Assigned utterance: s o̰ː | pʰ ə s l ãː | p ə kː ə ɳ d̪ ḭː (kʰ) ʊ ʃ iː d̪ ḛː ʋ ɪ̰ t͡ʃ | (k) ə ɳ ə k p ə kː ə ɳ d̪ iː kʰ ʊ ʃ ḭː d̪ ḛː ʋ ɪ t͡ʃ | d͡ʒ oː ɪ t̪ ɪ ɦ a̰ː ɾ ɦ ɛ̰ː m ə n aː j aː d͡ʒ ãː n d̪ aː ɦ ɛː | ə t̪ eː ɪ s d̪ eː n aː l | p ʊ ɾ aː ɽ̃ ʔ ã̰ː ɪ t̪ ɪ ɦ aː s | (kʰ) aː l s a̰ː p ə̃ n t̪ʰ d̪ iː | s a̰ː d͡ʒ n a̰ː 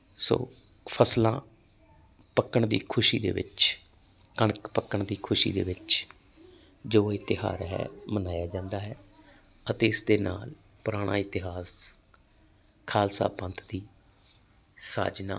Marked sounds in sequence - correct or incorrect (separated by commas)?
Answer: correct, correct, correct